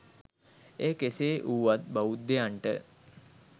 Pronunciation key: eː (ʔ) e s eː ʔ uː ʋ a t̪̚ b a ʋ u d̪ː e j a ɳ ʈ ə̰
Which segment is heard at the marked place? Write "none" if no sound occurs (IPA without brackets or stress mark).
k